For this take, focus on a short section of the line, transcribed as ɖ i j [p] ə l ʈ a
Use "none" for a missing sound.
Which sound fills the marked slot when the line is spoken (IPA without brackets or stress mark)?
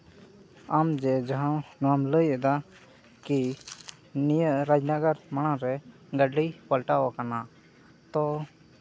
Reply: p